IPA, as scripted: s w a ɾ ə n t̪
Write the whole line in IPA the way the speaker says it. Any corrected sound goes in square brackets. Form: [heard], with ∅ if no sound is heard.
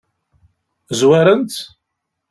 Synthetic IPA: [z] w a ɾ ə n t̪